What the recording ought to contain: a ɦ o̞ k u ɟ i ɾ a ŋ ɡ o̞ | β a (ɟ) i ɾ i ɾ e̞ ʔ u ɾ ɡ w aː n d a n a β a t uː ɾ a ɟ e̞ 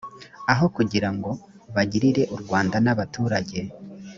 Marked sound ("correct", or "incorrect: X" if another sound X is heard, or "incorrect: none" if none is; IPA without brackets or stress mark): correct